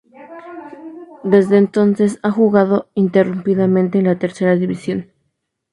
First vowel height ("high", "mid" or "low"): mid